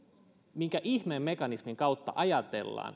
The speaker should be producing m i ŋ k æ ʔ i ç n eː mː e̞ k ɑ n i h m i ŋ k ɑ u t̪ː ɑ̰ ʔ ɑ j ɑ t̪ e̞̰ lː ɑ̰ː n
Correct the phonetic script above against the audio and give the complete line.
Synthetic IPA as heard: m i ŋ k æ ʔ i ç m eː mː e̞ k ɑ n i s m i ŋ k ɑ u t̪ː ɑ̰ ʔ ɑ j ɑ t̪ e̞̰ lː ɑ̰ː n